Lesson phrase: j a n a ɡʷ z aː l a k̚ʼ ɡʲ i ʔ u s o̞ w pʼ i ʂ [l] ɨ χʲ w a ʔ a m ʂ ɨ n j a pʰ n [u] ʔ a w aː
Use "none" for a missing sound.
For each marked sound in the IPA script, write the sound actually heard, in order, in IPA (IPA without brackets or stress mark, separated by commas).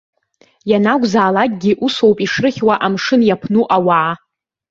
r, u